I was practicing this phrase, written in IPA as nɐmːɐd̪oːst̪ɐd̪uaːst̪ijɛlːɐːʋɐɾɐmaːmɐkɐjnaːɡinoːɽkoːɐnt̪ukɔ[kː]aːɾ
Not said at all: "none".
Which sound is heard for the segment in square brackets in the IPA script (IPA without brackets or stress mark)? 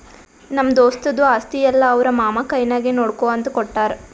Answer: ʈː